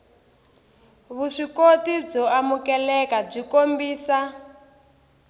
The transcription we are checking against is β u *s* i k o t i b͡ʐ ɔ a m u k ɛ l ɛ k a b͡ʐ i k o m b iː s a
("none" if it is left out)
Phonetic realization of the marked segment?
ʂ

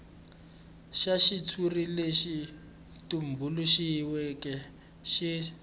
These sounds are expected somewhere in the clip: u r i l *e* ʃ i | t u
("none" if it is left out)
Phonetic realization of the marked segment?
e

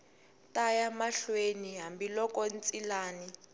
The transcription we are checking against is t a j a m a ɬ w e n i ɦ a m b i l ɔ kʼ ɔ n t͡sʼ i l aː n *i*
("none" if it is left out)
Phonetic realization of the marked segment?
i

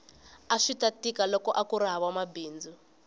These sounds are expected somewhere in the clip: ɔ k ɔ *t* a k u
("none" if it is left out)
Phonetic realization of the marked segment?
ʔ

